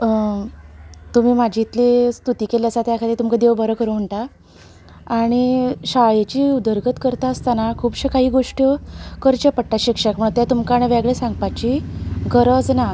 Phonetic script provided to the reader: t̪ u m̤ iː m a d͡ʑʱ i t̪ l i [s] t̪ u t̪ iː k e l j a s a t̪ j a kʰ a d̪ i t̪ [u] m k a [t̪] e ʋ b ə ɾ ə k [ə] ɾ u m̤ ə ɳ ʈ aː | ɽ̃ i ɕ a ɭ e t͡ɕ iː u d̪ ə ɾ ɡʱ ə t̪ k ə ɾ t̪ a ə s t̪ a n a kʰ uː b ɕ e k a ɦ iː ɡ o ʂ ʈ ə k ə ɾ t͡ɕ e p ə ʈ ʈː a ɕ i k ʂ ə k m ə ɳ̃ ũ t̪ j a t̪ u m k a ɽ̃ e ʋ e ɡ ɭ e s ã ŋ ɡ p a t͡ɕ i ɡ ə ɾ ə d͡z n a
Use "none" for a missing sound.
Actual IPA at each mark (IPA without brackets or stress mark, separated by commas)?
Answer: s, u, d̪, ə